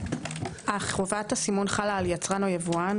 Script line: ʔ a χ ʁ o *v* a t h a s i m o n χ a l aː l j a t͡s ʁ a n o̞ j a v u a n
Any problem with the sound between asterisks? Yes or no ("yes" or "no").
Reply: no